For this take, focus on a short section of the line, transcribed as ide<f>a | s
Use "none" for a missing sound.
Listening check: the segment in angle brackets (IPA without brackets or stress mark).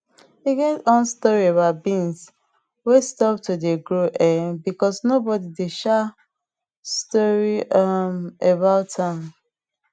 ʃ